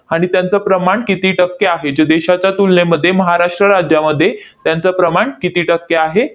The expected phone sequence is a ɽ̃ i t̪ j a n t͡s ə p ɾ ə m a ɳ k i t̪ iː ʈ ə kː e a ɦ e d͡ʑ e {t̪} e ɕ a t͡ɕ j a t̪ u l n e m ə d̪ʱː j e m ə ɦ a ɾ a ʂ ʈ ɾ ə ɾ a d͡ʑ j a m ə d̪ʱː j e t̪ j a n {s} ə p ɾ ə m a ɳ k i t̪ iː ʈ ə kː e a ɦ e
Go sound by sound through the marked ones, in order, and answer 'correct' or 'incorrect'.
incorrect, incorrect

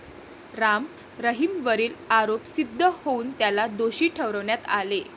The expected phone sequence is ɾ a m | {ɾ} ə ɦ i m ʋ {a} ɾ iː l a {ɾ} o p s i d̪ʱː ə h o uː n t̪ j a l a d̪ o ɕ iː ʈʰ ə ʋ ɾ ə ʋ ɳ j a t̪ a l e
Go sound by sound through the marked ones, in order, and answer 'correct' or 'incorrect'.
correct, incorrect, correct

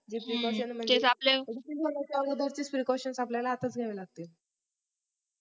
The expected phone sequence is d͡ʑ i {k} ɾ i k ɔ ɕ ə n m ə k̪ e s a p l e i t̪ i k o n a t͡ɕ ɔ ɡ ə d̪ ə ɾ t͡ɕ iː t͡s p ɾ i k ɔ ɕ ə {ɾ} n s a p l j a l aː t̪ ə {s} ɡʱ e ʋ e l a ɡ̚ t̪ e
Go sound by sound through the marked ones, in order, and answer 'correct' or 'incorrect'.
incorrect, incorrect, incorrect

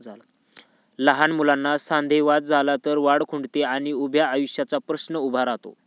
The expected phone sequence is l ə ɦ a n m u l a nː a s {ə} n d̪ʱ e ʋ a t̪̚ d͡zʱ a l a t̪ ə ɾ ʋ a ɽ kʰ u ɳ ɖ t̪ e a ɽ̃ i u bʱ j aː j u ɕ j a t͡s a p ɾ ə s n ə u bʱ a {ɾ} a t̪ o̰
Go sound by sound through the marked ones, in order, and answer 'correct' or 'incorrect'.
incorrect, correct

